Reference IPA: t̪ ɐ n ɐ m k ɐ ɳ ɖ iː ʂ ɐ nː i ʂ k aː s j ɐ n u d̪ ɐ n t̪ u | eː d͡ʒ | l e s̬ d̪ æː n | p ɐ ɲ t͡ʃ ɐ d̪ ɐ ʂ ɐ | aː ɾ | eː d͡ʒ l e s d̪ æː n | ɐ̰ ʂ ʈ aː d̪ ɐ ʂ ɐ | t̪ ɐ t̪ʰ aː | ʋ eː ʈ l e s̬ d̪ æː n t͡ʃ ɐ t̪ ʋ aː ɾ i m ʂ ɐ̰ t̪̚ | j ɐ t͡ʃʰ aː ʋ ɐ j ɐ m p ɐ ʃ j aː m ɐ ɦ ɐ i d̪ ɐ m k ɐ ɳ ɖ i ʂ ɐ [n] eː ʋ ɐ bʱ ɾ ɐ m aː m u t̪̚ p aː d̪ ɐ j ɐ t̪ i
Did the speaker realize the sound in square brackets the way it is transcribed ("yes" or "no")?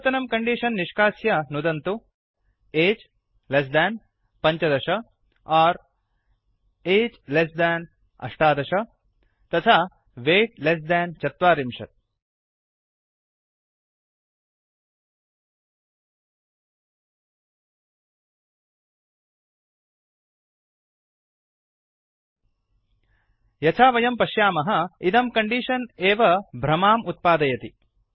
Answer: yes